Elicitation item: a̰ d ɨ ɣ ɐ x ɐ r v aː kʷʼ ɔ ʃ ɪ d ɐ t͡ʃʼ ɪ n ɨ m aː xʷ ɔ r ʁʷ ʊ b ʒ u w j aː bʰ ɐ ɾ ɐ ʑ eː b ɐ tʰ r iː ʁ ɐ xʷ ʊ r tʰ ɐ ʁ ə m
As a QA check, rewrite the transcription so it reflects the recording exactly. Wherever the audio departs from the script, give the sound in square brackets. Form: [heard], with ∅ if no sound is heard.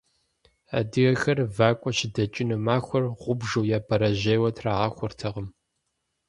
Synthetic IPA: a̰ d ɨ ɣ ɐ x ɐ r v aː kʷʼ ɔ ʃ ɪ d ɐ t͡ʃʼ ɪ n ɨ m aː xʷ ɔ r ʁʷ ʊ b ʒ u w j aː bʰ ɐ ɾ ɐ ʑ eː [w] ɐ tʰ r [aː] ʁ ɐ xʷ ʊ r tʰ ɐ ʁ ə m